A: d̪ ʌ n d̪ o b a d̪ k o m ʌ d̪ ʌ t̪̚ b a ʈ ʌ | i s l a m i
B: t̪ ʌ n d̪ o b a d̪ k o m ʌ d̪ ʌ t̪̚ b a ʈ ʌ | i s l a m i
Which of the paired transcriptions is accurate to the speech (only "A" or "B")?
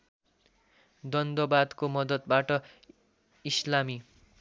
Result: A